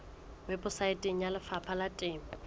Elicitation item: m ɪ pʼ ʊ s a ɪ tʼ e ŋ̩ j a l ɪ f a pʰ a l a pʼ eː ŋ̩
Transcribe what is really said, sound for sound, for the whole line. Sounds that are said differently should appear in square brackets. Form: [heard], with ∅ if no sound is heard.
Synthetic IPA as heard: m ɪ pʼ ʊ s a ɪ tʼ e ŋ̩ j a l ɪ f a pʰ a l a [tʼ] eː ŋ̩